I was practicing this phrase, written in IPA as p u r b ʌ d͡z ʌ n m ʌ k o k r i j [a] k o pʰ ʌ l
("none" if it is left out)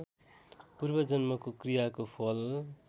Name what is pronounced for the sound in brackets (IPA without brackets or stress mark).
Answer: a